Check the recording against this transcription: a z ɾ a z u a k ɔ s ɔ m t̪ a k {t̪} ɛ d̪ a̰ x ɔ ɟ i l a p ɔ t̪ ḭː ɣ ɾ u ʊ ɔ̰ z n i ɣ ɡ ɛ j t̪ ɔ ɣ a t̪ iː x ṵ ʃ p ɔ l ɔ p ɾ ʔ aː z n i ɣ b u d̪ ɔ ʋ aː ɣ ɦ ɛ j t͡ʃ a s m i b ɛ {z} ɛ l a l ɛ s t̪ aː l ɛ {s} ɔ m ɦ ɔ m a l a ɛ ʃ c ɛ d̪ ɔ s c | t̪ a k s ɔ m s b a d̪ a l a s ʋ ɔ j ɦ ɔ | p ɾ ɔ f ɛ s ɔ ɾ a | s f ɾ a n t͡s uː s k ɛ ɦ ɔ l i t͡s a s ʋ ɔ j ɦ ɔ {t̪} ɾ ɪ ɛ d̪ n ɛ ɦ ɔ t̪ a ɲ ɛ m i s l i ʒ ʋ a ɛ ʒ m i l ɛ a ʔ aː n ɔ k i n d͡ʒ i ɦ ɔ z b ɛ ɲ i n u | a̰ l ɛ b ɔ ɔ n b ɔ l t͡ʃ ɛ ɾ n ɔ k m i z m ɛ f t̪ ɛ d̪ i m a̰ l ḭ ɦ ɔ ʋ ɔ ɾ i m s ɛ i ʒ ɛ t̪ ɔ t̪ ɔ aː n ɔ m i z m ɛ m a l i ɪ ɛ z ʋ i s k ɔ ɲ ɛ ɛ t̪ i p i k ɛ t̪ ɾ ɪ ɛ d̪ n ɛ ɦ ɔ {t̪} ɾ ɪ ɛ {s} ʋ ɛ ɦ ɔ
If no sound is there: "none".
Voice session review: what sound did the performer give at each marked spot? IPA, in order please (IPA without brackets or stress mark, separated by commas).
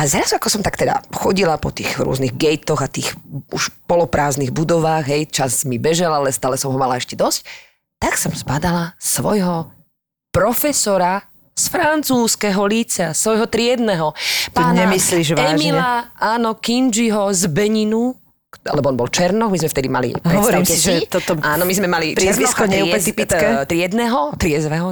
t̪, ʒ, s, t̪, t̪, z